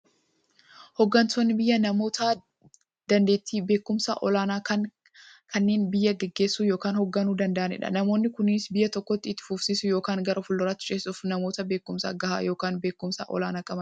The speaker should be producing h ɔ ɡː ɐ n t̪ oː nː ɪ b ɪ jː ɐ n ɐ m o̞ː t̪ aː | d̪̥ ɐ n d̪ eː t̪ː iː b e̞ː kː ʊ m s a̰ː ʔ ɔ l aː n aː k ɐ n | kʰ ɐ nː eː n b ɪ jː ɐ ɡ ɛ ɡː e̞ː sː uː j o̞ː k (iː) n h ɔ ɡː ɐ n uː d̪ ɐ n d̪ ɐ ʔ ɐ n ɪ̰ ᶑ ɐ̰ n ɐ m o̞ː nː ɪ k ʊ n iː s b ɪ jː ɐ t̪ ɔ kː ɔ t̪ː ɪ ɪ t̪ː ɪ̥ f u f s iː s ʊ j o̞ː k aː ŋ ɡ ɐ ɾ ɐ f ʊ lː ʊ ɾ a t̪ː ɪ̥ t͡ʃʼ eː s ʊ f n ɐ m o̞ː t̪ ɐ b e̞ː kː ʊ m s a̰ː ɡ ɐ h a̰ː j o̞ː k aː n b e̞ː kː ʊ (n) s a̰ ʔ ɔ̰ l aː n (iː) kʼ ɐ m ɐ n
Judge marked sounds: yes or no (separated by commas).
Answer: no, no, no